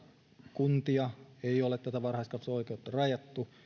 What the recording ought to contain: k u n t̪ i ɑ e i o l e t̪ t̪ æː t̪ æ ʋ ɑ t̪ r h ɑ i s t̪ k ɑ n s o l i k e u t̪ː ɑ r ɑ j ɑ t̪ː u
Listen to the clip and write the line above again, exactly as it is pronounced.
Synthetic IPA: k u n t̪ i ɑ e i o l e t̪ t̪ æ t̪ æ ʋ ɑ r h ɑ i s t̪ k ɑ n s o i k e u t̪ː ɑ r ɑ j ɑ t̪ː u